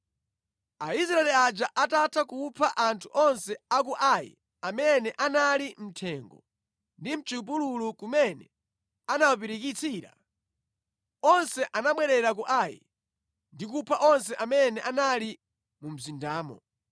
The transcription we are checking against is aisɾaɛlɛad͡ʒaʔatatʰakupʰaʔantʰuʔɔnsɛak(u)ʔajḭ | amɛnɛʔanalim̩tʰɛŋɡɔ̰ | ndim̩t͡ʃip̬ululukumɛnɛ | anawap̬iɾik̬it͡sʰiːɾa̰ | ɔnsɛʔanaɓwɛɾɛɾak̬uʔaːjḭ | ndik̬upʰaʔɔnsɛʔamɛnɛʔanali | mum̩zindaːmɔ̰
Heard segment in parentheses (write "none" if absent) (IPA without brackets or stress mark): u